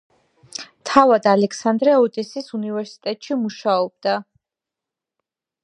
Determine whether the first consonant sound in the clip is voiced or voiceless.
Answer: voiceless